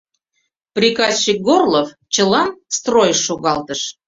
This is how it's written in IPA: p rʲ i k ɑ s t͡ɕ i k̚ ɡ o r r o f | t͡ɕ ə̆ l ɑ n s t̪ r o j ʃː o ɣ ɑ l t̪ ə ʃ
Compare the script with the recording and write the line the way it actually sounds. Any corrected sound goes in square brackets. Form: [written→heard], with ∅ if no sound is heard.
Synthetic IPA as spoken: p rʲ i k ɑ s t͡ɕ i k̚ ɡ o r [r→l] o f | t͡ɕ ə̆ l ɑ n s t̪ r o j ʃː o ɣ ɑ l t̪ ə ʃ